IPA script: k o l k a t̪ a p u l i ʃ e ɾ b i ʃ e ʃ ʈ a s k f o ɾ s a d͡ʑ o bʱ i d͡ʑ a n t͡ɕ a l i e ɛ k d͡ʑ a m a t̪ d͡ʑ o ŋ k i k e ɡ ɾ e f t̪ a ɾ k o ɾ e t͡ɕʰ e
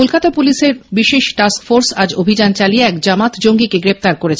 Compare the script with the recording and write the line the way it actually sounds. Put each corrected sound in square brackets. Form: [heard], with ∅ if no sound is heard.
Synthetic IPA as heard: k o l k a t̪ a p u l i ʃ e ɾ b i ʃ e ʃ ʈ a s k f o ɾ s a d͡ʑ o bʱ i d͡ʑ a n t͡ɕ a l i e ɛ k d͡ʑ a m a t̪ d͡ʑ o ŋ [ɡ] i k e ɡ ɾ e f t̪ a ɾ k o ɾ e t͡ɕʰ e

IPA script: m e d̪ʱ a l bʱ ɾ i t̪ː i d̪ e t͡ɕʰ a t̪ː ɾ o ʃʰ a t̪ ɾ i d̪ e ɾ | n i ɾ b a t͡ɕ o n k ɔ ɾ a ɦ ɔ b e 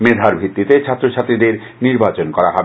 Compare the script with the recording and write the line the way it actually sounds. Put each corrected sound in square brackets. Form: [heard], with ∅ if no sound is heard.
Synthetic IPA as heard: m e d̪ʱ a [ɾ] bʱ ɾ i t̪ː i [t̪] e t͡ɕʰ a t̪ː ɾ o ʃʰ a t̪ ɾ i d̪ e ɾ | n i ɾ b a t͡ɕ o n k ɔ ɾ a ɦ ɔ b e

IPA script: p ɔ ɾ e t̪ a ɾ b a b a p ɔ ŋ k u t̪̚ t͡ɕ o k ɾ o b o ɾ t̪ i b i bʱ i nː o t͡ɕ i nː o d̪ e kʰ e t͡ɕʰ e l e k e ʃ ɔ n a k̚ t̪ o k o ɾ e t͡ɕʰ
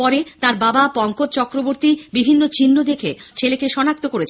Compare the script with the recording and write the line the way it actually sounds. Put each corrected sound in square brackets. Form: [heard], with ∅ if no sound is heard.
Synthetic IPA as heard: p ɔ ɾ e t̪ a ɾ b a b a p ɔ ŋ k [o] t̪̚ t͡ɕ [ɔ] k ɾ o b o ɾ t̪ i b i bʱ i nː o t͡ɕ i nː o d̪ e kʰ e t͡ɕʰ e l e k e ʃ ɔ n a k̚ t̪ o k o ɾ e t͡ɕʰ

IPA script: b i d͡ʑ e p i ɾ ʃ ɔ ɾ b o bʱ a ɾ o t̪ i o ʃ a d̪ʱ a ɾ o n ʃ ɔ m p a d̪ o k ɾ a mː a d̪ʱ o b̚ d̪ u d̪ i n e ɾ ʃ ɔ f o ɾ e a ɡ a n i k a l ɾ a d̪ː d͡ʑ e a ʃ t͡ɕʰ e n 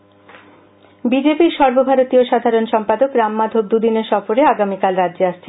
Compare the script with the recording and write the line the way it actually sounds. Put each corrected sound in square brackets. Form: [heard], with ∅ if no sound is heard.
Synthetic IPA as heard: b i d͡ʑ e p i ɾ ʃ ɔ ɾ b o bʱ a ɾ o t̪ i o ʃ a d̪ʱ a ɾ o n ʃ ɔ m p a d̪ o k ɾ a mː a d̪ʱ o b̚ d̪ u d̪ i n e ɾ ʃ ɔ f o ɾ e a ɡ a [m] i k a l ɾ a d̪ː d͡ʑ e a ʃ t͡ɕʰ e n

